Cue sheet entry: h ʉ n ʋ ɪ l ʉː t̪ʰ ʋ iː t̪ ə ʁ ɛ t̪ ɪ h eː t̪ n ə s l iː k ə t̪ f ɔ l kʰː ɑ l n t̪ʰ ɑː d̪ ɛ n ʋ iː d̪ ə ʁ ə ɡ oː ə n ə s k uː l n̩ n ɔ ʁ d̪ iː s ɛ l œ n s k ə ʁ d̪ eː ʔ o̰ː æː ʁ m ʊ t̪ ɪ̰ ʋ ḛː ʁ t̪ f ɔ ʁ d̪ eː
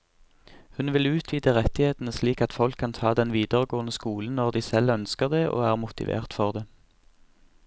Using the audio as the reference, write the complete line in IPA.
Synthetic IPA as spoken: h ʉ n ʋ ɪ l ʉː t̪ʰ ʋ iː d̪ ə ʁ ɛ t̪ ɪ h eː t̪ n ə s l iː k ɑ t̪ f ɔ l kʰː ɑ n t̪ʰ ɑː d̪ ɛ n ʋ iː d̪ ə ʁ ə ɡ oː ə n ə s k uː l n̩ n ɔ ʁ d̪ iː s ɛ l œ n s k ə ʁ d̪ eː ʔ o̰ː æː ʁ m ʊ t̪ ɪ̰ ʋ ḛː ʁ t̪ f ɔ ʁ d̪ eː

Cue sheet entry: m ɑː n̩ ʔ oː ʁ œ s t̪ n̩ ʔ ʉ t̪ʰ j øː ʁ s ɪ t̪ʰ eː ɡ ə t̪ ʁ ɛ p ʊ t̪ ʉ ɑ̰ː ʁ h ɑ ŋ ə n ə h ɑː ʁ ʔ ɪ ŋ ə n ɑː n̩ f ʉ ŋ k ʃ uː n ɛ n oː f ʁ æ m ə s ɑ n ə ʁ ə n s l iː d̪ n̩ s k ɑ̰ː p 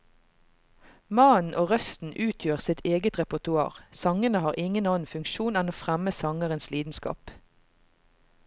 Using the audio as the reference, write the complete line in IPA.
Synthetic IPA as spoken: m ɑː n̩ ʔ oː ʁ œ s t̪ n̩ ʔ ʉː t̪ʰ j øː ʁ s ɪ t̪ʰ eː ɡ ə t̪ ʁ ɛ p ʊ t̪ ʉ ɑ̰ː ʁ s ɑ ŋ ə n ə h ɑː ʁ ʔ ɪ ŋ ə n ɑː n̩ f ʉ ŋ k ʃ uː n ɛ n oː f ʁ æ m ə s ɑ ŋ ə ʁ ə n s l iː d̪ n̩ s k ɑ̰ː p

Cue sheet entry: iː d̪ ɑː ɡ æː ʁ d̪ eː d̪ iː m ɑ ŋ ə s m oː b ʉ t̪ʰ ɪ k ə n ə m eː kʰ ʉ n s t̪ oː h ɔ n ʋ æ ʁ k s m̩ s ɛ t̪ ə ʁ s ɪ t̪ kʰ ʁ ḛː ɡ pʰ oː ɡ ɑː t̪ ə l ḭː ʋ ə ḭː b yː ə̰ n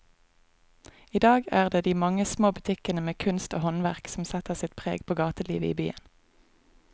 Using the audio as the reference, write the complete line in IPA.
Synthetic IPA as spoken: iː d̪ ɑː ɡ æː ʁ d̪ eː d̪ iː m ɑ ŋ ə s m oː b ʉ t̪ʰ ɪ k ə n ə m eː kʰ ʉ n s t̪ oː h ɔ n ʋ æ ʁ k s m̩ s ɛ t̪ ə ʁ s ɪ t̪ pʰ ʁ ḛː ɡ pʰ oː ɡ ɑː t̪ ə l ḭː ʋ ə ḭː b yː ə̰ n

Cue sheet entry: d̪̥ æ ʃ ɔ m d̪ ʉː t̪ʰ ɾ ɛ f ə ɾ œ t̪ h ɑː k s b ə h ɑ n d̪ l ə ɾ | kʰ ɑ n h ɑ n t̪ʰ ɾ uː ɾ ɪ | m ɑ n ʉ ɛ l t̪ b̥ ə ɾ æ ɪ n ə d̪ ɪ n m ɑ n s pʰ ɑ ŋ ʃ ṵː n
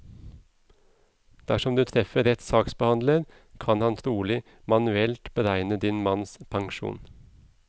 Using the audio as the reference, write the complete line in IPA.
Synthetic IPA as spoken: d̪̥ æ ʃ ɔ m d̪ ʉː t̪ʰ ɾ ɛ f ə ɾ ɛ t̪ s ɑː k s b ə h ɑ n d̪ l ə ɾ | kʰ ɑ n h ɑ n t̪ʰ ɾ uː l ɪ | m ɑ n ʉ ɛ l t̪ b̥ ə ɾ æ ɪ n ə d̪ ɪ n m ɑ n s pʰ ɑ ŋ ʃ ṵː n

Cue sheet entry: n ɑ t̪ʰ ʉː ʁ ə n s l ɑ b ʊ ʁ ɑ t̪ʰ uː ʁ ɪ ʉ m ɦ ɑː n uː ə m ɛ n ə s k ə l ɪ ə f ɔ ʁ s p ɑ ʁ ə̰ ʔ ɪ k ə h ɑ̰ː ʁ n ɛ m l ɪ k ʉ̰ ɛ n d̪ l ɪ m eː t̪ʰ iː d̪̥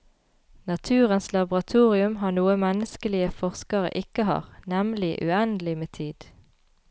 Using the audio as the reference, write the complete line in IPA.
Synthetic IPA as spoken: n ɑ t̪ʰ ʉː ʁ ə n s l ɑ b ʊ ʁ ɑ t̪ʰ uː ʁ ɪ ʉ m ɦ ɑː n uː ə m ɛ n ə s k ə l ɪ ə f ɔ ʁ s k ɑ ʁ ə̰ ʔ ɪ k ə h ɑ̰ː ʁ n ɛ m l ɪ ʔ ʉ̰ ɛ n d̪ l ɪ m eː t̪ʰ iː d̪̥

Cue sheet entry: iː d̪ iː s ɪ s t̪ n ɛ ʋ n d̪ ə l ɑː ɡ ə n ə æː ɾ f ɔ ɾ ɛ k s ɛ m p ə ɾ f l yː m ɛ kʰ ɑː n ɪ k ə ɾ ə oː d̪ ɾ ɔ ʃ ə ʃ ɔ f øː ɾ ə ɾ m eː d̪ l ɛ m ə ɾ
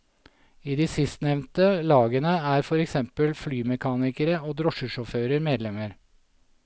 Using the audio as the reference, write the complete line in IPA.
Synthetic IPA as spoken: iː d̪ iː s ɪ s t̪ n ɛ ʋ n t̪ ə l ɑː ɡ ə n ə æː ɾ f ɔ ɾ ɛ k s ɛ m p ə l f l yː m ɛ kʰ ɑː n ɪ k ə ɾ ə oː d̪ ɾ ɔ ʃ ə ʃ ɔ f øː ɾ ə ɾ m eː d̪ l ɛ m ə ɾ

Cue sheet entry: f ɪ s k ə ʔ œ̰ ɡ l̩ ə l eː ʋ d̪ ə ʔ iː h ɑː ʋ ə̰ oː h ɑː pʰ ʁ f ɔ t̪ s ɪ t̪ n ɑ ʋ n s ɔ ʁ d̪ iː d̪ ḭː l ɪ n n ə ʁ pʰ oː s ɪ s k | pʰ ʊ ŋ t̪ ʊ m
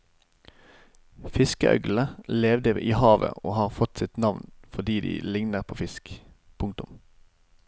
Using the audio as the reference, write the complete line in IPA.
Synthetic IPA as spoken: f ɪ s k ə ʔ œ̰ ɡ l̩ ə l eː ʋ d̪ ə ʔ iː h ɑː ʋ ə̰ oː h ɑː ʁ f ɔ t̪ s ɪ t̪ n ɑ ʋ n f ɔ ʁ d̪ iː d̪ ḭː l ɪ ŋ n ə ʁ pʰ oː f ɪ s k | pʰ ʊ ŋ t̪ ʊ m

